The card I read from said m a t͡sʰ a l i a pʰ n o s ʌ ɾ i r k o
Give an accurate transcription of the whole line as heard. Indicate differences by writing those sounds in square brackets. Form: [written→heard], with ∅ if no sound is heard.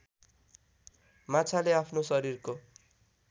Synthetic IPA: m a t͡sʰ a l [i→e] a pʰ n o s ʌ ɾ i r k o